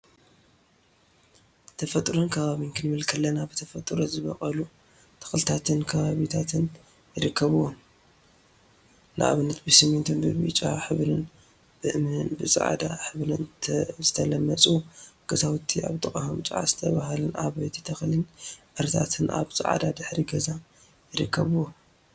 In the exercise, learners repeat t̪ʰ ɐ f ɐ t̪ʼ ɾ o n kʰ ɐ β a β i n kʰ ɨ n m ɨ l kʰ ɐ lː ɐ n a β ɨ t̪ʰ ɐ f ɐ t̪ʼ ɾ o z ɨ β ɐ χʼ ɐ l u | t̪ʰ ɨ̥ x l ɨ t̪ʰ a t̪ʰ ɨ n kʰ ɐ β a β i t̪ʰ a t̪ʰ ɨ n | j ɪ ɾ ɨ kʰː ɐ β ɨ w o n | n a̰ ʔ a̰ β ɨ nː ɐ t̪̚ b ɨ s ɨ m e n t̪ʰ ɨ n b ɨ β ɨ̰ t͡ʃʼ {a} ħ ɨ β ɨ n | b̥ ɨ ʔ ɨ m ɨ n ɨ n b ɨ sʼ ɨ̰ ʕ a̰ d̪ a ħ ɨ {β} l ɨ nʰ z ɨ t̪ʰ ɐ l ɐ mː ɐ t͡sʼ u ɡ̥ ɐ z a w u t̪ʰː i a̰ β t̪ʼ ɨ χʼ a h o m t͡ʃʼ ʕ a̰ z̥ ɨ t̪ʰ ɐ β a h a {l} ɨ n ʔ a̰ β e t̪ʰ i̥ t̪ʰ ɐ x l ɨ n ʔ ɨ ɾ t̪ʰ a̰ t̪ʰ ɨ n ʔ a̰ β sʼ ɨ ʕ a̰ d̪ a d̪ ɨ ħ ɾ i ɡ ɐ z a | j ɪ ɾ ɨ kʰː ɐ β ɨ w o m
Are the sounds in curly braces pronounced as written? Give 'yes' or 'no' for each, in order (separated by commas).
yes, yes, yes